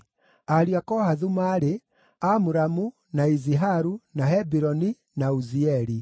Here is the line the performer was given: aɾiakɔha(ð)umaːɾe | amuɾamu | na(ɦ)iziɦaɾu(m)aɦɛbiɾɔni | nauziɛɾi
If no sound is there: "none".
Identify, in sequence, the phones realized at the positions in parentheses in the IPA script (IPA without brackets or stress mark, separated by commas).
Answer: ð, none, n